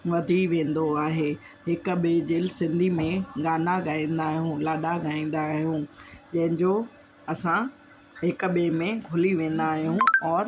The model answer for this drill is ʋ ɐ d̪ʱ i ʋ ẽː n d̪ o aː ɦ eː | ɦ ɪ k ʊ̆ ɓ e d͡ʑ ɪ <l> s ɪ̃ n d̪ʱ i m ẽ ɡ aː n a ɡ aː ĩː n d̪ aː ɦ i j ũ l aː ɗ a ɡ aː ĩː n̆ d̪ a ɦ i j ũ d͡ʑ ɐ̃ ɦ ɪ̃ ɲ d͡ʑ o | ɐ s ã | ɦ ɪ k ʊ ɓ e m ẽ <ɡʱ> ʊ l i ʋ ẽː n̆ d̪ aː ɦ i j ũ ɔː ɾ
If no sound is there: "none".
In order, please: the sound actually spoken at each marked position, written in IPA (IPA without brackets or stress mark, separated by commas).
l, ɡʱ